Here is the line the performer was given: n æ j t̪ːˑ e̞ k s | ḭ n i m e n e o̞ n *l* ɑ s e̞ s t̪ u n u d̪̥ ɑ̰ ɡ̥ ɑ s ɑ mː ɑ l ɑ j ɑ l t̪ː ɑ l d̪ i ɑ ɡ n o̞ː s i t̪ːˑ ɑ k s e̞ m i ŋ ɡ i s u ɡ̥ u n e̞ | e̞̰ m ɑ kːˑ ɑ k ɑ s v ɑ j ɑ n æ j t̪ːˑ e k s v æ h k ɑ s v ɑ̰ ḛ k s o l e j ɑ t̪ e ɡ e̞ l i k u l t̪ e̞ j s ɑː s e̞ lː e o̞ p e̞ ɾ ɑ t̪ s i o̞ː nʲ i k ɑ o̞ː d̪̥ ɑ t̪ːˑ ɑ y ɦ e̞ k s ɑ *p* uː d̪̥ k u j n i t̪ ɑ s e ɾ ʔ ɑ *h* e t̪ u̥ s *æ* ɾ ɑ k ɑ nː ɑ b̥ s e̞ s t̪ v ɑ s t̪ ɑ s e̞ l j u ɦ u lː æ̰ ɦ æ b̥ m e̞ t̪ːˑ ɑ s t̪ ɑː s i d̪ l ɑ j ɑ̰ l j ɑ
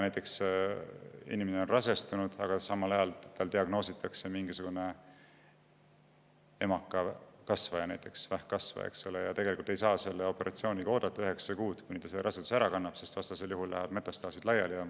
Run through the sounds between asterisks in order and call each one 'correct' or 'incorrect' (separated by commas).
incorrect, incorrect, incorrect, correct